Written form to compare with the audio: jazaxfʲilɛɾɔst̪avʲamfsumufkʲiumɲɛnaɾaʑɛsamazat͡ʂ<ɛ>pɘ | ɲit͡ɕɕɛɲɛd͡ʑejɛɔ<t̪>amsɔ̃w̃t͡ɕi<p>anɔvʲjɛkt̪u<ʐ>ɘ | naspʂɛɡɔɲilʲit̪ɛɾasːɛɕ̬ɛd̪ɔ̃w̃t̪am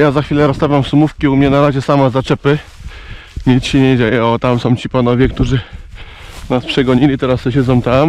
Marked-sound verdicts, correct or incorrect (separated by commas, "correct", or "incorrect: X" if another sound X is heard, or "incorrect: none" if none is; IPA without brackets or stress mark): correct, correct, correct, correct